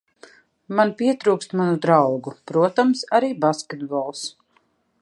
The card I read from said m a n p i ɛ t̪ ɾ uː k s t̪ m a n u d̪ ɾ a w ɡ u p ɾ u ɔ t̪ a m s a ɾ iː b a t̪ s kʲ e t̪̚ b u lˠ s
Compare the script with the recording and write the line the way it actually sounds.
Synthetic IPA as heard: m a n p i ɛ t̪ ɾ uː k s t̪ m a n u d̪ ɾ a w ɡ u p ɾ u ɔ t̪ a m s a ɾ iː b a s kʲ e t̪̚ b ɔ lˠ s